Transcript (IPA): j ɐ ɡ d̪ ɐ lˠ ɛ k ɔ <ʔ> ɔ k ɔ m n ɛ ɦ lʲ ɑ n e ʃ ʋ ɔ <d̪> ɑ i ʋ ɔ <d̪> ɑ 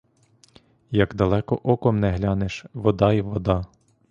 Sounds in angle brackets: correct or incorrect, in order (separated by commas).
correct, correct, correct